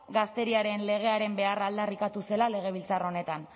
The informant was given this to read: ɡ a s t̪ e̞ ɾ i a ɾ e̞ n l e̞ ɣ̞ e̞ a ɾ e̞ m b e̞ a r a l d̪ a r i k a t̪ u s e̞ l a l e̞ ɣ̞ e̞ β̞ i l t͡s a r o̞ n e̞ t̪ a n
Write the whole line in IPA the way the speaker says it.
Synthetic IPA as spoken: ɡ a s t̪ e̞ ɾ i a ɾ e̞ n l e̞ ɣ̞ e̞ a ɾ e̞ m b e̞ a r a l d̪ a r i k a t̪ u s e̞ l a l e̞ ɣ̞ e̞ β̞ i l t͡s a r o̞ n e̞ t̪ a n